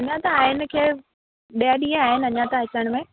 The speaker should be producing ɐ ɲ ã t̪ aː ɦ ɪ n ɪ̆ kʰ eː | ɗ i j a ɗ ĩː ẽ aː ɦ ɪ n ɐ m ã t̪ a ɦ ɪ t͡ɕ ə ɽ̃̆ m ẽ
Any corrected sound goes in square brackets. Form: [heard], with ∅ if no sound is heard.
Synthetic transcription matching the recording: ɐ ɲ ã t̪ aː ɦ ɪ n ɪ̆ kʰ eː | ɗ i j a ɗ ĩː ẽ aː ɦ ɪ n ɐ [ɲ] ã t̪ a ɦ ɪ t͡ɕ ə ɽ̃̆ m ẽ